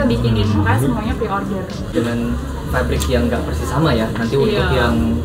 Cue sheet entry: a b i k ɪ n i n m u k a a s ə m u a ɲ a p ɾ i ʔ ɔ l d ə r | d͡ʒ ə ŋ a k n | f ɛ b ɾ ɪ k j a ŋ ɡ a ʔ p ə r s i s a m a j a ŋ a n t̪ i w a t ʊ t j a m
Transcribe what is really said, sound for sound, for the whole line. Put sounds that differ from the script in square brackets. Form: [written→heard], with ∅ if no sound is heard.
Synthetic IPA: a b i k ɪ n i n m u k a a s ə m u a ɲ a p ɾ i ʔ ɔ [l→r] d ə r | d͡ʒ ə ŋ a [k→∅] n | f [ɛ→a] b ɾ ɪ k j a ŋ ɡ a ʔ p ə r s i s a m a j a [ŋ→n] a n t̪ i w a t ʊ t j a [m→ŋ]